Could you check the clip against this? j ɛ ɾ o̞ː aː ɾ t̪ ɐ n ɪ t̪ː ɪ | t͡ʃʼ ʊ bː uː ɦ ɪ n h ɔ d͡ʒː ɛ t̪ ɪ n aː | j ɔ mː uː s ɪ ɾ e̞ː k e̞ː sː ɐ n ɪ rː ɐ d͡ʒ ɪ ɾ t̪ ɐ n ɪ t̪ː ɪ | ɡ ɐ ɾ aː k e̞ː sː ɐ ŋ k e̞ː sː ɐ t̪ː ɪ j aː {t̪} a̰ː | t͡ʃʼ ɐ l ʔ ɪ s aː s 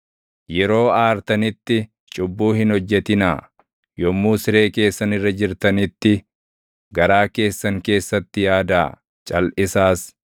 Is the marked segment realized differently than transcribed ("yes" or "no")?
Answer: yes